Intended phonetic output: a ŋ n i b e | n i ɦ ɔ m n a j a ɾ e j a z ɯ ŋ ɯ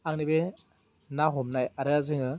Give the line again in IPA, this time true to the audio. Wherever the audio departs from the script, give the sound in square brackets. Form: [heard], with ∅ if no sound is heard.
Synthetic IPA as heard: a ŋ n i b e | n [a] ɦ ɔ m n a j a ɾ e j a z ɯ ŋ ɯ